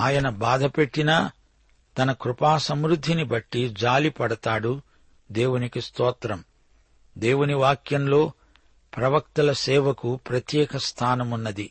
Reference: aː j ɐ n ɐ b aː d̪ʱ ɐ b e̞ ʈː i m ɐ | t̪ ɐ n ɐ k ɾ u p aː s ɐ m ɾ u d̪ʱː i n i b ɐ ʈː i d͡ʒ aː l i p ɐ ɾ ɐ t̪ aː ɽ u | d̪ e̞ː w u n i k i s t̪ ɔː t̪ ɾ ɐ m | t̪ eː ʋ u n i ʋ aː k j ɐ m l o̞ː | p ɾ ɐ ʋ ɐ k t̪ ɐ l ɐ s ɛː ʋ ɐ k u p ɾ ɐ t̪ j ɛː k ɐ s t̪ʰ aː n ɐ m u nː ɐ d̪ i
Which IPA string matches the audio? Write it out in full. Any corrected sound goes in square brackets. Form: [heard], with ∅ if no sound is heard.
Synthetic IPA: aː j ɐ n ɐ b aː d̪ʱ ɐ [p] e̞ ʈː i [n] ɐ | t̪ ɐ n ɐ k ɾ u p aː s ɐ m ɾ u d̪ʱː i n i b ɐ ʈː i d͡ʒ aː l i p ɐ [ɽ] ɐ t̪ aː ɽ u | d̪ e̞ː w u n i k i s t̪ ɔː t̪ ɾ ɐ m | [d̪] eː [w] u n i ʋ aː k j ɐ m l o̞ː | p ɾ ɐ ʋ ɐ k t̪ ɐ l ɐ s ɛː ʋ ɐ k u p ɾ ɐ t̪ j ɛː k ɐ s t̪ʰ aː n ɐ m u nː ɐ d̪ i